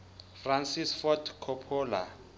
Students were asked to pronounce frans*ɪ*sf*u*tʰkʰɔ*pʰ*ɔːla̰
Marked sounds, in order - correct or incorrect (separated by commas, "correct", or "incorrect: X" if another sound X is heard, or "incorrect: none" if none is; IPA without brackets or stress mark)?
incorrect: i, incorrect: ɔ, correct